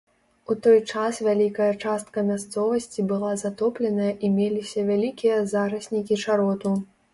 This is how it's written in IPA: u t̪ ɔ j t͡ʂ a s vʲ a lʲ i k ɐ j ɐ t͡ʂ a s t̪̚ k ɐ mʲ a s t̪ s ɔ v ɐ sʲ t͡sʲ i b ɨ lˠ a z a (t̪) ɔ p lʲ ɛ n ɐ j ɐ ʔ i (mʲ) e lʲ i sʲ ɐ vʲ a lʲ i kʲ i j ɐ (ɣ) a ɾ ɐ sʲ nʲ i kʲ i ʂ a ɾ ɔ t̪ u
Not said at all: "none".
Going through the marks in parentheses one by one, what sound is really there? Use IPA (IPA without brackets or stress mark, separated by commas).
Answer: t̪, mʲ, z